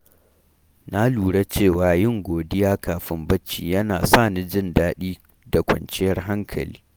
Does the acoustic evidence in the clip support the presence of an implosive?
yes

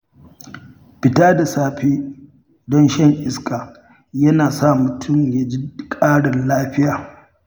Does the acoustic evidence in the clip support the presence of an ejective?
yes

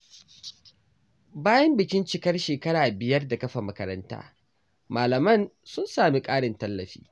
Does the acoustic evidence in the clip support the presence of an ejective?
yes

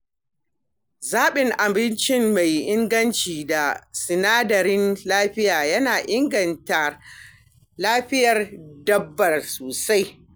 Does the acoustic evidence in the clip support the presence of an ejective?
no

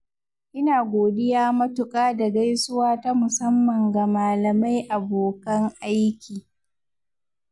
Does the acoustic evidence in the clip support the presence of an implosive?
no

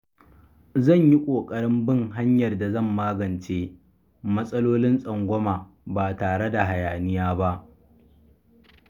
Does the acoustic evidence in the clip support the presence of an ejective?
yes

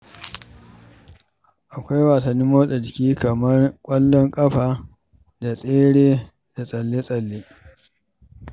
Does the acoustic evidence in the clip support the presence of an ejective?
yes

